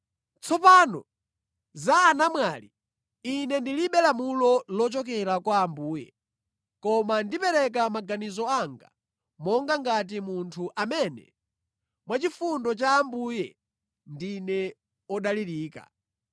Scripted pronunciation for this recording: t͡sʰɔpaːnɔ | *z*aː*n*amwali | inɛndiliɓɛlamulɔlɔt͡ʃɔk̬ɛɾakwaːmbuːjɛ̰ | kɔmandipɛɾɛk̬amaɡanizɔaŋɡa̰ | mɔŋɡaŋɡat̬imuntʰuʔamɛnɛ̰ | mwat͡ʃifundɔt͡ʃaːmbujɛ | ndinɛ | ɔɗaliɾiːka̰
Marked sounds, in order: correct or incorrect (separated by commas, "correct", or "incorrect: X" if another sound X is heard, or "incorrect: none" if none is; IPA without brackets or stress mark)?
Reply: correct, correct